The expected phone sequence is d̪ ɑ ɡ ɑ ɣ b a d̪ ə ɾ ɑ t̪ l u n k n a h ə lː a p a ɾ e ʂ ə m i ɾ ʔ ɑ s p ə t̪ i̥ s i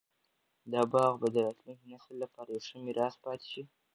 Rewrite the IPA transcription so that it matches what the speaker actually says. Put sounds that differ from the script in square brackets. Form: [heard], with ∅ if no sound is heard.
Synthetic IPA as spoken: d̪ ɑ [b] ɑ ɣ b a d̪ ə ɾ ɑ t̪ l u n k n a [s] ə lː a p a ɾ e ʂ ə m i ɾ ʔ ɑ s p [ɑ] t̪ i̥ [ʃ] i